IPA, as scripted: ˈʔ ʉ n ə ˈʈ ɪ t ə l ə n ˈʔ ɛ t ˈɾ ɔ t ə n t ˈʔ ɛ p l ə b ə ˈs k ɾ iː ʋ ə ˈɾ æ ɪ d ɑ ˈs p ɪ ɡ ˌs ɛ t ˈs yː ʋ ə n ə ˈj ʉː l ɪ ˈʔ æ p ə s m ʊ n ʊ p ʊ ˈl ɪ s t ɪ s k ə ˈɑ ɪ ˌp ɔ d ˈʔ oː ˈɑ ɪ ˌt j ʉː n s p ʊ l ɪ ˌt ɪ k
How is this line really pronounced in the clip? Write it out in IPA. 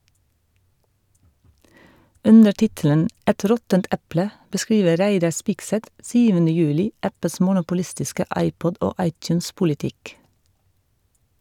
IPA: ˈʔ ʉ n ə ˈʈ ɪ t ə l ə n ˈʔ ɛ t ˈɾ ɔ t ə n t ˈʔ ɛ p l ə b ə ˈs k ɾ iː ʋ ə ˈɾ æ ɪ d ɑ ˈs p ɪ ɡ ˌs ɛ t ˈs yː ʋ ə n ə ˈj ʉː l ɪ ˈʔ æ p ə s m ʊ n ʊ p ʊ ˈl ɪ s t ɪ s k ə ˈɑ ɪ ˌp ɔ d ˈʔ oː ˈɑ ɪ ˌt j ʉː n s p ʊ l ɪ ˌt ɪ k